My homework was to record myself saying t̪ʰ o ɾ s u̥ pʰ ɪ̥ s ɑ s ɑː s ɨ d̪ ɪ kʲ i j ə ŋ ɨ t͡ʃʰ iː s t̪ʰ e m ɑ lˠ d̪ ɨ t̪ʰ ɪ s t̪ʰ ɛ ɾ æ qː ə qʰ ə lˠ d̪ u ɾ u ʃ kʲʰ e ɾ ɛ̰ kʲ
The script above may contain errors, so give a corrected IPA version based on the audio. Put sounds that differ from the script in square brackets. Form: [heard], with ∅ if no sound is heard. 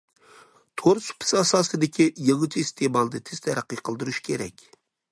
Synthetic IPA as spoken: t̪ʰ o ɾ s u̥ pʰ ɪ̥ s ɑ s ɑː s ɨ d̪ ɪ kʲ i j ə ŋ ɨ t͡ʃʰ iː s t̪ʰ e m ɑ lˠ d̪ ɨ t̪ʰ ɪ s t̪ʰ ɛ ɾ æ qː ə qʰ ə lˠ d̪ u ɾ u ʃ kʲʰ e ɾ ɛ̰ kʲ

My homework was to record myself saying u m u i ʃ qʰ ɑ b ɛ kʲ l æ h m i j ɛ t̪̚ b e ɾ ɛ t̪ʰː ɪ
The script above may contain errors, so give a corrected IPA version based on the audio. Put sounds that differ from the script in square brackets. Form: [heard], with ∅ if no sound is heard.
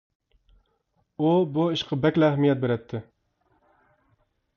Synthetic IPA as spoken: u [b] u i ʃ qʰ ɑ b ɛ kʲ l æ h m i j ɛ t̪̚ b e ɾ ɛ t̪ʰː ɪ

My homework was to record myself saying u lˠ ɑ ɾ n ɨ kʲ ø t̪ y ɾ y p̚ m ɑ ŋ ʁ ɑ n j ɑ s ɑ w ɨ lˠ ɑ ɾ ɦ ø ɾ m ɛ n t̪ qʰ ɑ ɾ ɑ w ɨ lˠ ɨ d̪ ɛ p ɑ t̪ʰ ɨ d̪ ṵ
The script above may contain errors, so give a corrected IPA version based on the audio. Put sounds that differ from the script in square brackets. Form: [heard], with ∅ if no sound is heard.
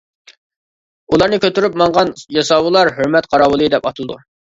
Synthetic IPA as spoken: u lˠ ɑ ɾ n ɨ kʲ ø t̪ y ɾ y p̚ m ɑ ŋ ʁ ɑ n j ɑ s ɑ w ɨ lˠ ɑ ɾ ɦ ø ɾ m ɛ [∅] t̪ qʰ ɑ ɾ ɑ w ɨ lˠ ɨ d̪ ɛ p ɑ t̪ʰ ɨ d̪ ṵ

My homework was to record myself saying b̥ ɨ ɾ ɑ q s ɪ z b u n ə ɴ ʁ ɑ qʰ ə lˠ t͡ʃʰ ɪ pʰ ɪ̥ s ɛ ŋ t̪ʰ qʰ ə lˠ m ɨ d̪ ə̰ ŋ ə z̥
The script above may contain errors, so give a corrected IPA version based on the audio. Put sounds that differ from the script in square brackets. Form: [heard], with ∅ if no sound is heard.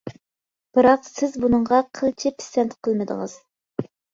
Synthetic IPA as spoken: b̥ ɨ ɾ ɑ q s ɪ z b u n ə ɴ ʁ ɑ qʰ ə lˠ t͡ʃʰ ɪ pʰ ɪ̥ s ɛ [n] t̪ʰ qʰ ə lˠ m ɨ d̪ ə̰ ŋ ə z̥

